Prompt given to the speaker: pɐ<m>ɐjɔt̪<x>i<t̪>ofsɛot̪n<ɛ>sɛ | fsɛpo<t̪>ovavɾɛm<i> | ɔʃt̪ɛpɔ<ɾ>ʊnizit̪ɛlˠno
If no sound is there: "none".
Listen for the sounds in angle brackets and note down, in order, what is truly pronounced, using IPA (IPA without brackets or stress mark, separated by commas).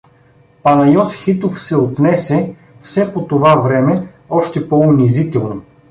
n, x, t̪, ɛ, t̪, ɛ, none